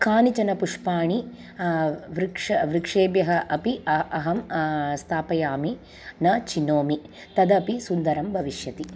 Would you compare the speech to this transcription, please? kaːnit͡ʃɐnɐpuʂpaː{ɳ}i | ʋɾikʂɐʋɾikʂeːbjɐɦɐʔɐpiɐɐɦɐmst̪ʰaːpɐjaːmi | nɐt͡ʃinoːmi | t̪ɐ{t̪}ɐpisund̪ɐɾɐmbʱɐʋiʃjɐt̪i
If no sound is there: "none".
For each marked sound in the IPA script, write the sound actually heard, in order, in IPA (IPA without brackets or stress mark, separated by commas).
ɳ, d̪